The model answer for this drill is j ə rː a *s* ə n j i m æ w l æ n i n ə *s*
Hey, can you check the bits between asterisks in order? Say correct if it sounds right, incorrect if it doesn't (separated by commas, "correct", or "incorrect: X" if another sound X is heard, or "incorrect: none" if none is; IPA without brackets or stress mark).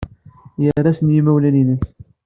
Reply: correct, correct